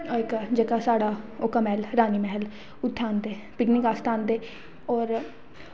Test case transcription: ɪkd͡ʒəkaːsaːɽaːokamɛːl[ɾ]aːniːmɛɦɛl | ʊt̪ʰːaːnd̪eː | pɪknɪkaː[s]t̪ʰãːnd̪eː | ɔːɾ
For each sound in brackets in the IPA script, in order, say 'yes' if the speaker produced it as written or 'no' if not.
yes, yes

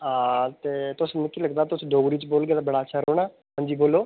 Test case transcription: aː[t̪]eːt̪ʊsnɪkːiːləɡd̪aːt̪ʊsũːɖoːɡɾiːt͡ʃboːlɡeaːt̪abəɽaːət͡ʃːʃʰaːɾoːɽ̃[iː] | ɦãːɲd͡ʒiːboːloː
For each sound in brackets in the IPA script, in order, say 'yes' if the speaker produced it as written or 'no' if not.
yes, no

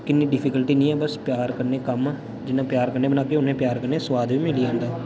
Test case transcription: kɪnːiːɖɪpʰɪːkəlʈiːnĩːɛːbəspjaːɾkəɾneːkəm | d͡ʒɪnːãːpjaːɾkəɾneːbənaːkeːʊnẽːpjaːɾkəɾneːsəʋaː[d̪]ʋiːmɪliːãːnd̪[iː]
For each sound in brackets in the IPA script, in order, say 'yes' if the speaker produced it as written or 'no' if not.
yes, no

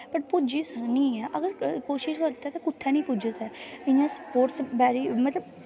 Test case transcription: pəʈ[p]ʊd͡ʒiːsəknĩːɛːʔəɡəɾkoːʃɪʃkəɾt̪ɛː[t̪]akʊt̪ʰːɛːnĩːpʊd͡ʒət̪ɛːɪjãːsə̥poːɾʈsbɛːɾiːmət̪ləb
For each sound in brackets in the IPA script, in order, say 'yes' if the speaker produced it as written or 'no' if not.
yes, yes

